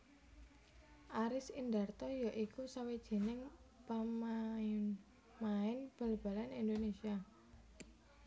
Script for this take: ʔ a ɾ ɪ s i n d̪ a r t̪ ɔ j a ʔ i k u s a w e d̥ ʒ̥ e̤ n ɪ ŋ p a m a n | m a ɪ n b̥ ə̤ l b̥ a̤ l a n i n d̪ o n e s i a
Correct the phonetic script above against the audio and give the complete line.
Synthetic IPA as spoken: ʔ a ɾ ɪ s i n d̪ a r t̪ ɔ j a ʔ i k u s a w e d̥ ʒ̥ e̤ n ɪ ŋ p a m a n | m a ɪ n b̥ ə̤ l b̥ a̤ l a n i n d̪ o n e s i a